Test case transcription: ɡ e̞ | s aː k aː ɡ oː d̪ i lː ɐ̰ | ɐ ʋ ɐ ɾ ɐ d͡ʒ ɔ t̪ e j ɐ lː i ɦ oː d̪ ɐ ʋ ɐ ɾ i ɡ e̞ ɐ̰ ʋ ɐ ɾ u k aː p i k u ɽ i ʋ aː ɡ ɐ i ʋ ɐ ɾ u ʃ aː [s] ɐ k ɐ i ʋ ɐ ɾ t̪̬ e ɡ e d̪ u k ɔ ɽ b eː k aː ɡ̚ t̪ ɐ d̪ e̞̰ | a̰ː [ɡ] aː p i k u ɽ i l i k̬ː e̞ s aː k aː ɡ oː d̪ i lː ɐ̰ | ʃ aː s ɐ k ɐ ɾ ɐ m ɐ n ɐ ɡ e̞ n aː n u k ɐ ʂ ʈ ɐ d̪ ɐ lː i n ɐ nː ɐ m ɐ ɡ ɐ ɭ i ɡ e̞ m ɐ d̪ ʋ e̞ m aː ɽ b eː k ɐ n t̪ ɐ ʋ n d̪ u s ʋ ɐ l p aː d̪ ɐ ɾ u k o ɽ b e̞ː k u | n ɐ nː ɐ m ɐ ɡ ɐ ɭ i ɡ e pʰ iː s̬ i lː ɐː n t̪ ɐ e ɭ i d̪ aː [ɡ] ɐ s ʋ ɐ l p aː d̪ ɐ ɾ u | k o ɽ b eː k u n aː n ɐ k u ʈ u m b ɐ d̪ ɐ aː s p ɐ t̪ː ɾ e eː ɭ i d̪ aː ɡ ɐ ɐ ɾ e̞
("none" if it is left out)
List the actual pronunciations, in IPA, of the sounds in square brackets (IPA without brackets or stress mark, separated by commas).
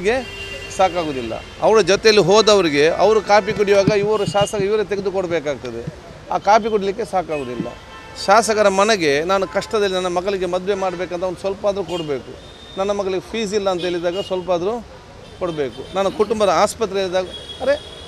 s, k, ɡ